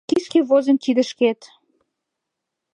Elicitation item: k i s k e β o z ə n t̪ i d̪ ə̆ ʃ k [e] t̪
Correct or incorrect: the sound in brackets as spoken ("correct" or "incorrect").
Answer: correct